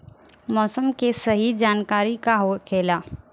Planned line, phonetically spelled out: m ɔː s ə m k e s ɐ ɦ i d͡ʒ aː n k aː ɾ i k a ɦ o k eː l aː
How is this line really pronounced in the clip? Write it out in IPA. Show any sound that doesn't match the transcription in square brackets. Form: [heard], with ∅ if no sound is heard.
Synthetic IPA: m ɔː s ə m k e s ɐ ɦ i d͡ʒ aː n k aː ɾ i k a ɦ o [kʰ] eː l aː